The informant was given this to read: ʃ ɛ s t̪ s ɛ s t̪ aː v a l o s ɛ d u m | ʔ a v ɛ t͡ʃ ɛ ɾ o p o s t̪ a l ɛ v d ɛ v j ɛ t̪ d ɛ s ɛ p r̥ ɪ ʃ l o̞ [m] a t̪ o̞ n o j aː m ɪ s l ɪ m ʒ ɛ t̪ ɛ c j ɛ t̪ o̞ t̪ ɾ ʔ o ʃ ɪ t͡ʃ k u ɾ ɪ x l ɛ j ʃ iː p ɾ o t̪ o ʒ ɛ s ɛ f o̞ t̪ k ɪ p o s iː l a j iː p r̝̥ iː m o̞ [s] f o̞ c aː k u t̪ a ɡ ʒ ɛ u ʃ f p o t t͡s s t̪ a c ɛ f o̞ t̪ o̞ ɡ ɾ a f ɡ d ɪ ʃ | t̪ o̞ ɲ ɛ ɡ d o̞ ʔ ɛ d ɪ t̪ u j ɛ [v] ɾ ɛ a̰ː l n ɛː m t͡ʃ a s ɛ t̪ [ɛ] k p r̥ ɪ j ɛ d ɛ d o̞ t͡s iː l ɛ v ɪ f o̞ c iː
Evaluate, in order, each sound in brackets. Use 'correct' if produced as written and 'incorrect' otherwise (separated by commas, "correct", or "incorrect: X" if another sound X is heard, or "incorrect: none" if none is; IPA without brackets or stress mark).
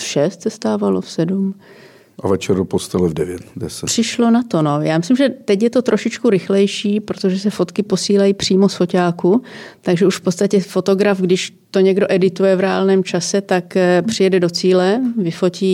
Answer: incorrect: n, correct, correct, incorrect: a